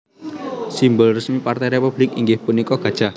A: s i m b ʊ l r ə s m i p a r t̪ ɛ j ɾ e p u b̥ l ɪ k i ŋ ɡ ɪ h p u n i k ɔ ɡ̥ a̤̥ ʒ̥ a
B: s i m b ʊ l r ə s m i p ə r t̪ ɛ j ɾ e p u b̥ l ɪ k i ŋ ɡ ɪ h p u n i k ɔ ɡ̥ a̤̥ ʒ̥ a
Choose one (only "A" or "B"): A